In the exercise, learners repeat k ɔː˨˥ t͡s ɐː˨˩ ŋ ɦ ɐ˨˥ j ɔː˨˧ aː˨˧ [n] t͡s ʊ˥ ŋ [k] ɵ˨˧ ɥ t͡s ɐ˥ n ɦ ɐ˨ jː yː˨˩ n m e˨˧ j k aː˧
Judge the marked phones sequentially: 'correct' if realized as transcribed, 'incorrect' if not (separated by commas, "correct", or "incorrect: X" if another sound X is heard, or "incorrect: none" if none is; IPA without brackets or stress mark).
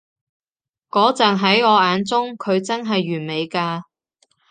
correct, incorrect: kʰ